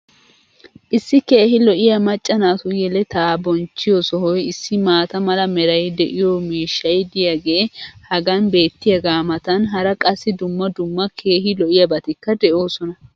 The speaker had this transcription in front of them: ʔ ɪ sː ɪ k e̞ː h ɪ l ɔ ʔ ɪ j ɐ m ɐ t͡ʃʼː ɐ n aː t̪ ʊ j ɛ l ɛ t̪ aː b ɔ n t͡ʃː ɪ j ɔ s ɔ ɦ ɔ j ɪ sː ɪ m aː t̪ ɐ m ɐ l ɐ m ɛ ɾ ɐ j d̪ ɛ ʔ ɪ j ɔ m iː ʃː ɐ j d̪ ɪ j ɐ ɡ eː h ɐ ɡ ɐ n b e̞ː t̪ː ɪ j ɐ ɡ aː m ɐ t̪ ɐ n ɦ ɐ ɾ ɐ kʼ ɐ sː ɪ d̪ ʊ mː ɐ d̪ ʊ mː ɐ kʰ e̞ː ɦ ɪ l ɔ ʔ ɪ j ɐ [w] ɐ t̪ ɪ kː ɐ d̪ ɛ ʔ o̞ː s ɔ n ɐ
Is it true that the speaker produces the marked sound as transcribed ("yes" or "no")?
no